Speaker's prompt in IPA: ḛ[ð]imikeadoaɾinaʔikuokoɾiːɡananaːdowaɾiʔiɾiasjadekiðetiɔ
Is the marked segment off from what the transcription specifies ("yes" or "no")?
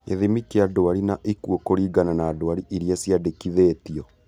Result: no